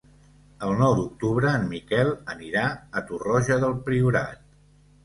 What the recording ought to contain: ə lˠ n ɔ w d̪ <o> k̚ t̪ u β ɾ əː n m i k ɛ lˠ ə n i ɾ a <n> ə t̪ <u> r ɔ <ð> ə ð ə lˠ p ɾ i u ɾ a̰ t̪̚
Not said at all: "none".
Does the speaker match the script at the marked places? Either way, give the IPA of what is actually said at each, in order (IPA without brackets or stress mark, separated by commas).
u, none, u, ʒ